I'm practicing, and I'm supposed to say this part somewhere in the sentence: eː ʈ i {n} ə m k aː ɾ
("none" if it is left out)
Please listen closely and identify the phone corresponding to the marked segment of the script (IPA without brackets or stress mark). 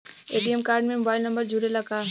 none